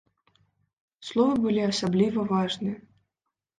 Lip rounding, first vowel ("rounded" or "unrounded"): rounded